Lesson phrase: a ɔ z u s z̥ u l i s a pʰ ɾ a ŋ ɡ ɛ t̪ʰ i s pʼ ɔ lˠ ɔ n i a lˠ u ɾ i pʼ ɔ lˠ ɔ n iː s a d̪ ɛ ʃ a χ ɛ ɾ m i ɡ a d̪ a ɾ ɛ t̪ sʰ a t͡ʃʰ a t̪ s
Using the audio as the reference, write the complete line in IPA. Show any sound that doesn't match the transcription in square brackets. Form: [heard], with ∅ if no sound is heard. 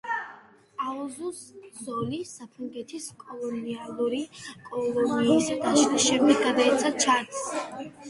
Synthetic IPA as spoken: a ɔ z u s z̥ [ɔ] l i s a pʰ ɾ a ŋ ɡ ɛ t̪ʰ i s [kʼ] ɔ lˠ ɔ n i a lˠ u ɾ i [kʼ] ɔ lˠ ɔ n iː s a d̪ [a] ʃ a [ʃ] ɛ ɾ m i ɡ a d̪ a [∅] ɛ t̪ sʰ a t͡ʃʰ a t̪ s